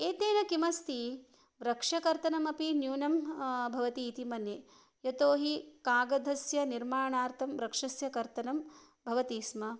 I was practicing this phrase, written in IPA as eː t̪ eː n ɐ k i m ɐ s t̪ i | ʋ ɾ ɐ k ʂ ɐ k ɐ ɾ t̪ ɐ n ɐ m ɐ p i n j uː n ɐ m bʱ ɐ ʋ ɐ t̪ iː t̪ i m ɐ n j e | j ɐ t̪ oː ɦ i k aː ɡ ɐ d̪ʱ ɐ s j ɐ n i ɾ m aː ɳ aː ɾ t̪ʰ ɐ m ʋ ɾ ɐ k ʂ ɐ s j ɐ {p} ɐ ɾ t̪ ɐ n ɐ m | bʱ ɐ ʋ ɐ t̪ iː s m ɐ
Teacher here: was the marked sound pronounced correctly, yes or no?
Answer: no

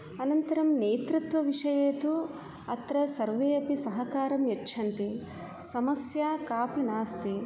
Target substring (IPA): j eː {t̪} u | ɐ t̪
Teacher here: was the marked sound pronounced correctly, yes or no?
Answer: yes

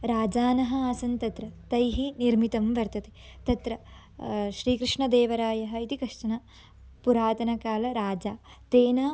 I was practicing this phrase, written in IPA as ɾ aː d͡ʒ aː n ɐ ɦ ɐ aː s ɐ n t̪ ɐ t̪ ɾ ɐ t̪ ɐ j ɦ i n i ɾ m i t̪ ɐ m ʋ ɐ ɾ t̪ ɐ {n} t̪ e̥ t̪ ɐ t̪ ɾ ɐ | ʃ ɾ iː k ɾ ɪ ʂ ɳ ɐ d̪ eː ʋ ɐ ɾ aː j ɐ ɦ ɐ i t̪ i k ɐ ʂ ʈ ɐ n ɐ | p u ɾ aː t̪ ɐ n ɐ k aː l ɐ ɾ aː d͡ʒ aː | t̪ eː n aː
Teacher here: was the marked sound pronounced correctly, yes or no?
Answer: no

